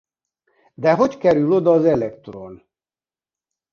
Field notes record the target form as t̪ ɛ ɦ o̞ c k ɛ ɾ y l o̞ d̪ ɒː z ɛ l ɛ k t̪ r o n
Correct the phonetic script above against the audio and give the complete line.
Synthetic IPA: d̪ ɛ ɦ o̞ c k ɛ ɾ y l o̞ d̪ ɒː z ɛ l ɛ k t̪ r o n